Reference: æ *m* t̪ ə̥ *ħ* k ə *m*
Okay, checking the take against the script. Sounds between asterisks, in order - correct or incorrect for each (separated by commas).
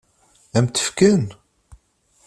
correct, incorrect, incorrect